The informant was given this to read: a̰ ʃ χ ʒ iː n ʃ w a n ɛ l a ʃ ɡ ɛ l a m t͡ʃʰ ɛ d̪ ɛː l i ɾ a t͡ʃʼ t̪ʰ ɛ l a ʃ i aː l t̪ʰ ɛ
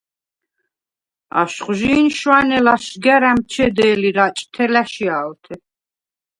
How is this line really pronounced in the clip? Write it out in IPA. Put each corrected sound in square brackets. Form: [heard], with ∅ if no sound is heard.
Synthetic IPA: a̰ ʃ χ ʒ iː n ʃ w a n ɛ l a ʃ ɡ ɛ [ɾ] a m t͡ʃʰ ɛ d̪ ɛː l i ɾ a t͡ʃʼ t̪ʰ ɛ l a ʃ i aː l t̪ʰ ɛ